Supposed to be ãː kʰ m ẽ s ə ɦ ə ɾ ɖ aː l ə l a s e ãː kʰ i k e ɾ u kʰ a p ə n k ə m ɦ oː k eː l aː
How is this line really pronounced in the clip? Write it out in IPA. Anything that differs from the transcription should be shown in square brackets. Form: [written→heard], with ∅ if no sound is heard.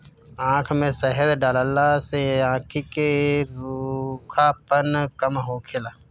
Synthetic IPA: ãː kʰ m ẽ s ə ɦ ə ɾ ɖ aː l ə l a s e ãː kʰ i k e ɾ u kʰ a p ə n k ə m ɦ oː [k→kʰ] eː l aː

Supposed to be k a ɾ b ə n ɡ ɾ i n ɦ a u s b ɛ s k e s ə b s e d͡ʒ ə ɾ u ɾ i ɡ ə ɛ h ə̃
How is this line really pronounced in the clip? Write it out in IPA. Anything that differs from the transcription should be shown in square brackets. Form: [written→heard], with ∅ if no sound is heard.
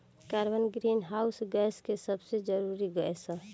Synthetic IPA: k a ɾ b ə n ɡ ɾ i n ɦ a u s [b→ɡ] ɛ s k e s ə b s e d͡ʒ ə ɾ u ɾ i ɡ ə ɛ [h→s] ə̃

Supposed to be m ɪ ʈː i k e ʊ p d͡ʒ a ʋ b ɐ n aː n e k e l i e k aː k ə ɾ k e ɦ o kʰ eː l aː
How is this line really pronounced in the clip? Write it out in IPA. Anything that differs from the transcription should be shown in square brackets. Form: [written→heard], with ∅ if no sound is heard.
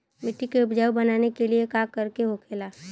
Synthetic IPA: m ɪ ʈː i k e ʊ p d͡ʒ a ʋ b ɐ n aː n e k e l i e k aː k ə ɾ k e ɦ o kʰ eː l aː

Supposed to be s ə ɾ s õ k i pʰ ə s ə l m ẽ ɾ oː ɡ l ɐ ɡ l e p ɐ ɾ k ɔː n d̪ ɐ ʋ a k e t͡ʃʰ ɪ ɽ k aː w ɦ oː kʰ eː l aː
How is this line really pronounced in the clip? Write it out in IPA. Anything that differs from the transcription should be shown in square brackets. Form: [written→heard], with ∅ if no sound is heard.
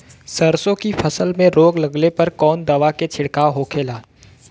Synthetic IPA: s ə ɾ s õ k i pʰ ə s ə l m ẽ ɾ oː ɡ l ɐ ɡ l e p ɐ ɾ k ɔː n d̪ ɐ ʋ a k e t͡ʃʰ ɪ ɽ k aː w ɦ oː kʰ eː l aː

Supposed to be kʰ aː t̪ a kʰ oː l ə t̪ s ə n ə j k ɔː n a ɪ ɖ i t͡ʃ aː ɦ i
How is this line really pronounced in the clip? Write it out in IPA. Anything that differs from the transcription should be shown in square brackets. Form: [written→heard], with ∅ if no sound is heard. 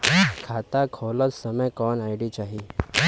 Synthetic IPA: kʰ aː t̪ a kʰ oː l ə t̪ s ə [n→m] ə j k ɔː n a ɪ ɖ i t͡ʃ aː ɦ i

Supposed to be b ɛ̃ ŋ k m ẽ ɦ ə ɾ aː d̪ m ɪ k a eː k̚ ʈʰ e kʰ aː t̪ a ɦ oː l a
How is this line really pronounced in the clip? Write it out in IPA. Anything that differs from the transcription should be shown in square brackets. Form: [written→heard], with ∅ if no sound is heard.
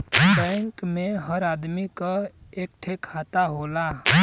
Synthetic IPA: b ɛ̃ ŋ k m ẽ ɦ ə ɾ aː d̪ m [ɪ→i] k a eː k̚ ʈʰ e kʰ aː t̪ a ɦ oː l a

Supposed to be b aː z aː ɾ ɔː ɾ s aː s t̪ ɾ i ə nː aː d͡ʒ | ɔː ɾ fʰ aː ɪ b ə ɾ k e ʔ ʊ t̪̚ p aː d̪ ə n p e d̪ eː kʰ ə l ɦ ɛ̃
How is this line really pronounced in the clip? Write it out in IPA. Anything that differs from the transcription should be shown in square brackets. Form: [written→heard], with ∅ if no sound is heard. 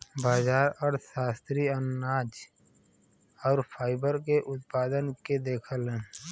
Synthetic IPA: b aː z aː ɾ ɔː ɾ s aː s t̪ ɾ i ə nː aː d͡ʒ | ɔː ɾ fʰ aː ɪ b ə ɾ k e ʔ ʊ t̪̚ p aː d̪ ə n [p→k] e d̪ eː kʰ ə l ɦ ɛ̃

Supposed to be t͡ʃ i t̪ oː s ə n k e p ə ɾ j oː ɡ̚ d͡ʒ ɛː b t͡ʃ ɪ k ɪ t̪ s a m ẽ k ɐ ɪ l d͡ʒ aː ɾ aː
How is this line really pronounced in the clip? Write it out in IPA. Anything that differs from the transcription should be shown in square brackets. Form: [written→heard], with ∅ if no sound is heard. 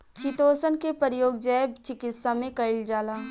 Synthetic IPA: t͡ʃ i t̪ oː s ə n k e p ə ɾ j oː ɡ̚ d͡ʒ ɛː b t͡ʃ ɪ k ɪ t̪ s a m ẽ k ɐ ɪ l d͡ʒ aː [ɾ→l] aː

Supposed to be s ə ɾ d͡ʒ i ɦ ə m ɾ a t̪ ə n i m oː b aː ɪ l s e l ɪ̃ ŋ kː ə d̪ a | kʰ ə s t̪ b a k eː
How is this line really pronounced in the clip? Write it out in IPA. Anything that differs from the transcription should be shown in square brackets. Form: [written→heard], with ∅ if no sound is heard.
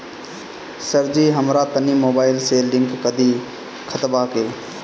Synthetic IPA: s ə ɾ d͡ʒ i ɦ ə m ɾ a t̪ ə n i m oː b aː ɪ l s e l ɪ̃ ŋ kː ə d̪ [a→i] | kʰ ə [s→∅] t̪ b a k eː

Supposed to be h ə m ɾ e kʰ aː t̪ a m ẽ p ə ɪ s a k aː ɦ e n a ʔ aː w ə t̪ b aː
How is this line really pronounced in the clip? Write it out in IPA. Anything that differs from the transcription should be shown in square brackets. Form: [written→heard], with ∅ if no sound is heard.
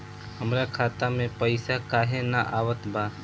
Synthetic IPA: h ə m ɾ [e→a] kʰ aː t̪ a m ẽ p ə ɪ s a k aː ɦ e n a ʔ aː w ə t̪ b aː

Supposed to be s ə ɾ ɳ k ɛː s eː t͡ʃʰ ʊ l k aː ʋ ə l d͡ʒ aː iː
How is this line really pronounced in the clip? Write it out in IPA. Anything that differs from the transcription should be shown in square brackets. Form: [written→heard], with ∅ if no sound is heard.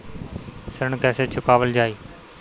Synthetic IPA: s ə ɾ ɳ k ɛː s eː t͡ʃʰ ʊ [l→∅] k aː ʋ ə l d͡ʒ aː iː

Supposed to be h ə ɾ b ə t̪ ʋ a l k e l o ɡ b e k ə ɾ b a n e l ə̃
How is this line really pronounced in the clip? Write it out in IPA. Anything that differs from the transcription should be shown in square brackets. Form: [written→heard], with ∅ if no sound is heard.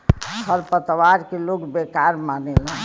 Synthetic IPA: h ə ɾ [b→p] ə t̪ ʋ a [l→ɾ] k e l o ɡ b e k [ə→a] ɾ [b→m] a n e l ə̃

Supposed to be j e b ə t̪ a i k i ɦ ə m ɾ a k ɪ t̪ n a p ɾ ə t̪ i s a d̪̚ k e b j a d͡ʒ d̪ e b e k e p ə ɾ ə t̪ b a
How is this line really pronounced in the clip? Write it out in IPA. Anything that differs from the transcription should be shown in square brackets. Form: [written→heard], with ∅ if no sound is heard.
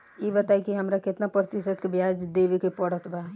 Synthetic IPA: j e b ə t̪ a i k i ɦ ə m ɾ a k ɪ t̪ n a p ɾ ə t̪ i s [a→ə] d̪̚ k e b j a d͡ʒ d̪ e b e k e p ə [ɾ→ɽ] ə t̪ b a

